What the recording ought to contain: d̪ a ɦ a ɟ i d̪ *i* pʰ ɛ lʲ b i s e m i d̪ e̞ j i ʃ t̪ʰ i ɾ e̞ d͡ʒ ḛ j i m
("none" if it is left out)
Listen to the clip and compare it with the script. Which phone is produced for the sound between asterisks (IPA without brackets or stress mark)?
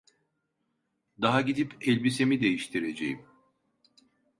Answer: i